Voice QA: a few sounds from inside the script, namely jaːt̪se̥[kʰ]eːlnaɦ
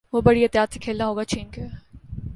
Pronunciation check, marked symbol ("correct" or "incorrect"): correct